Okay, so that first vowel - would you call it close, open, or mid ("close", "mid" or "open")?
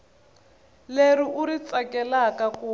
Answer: mid